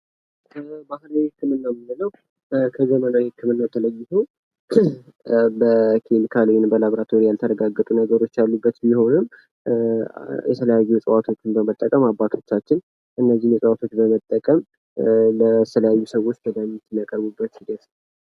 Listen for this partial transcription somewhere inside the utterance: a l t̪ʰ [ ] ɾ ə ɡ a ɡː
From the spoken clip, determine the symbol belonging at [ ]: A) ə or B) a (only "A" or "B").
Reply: A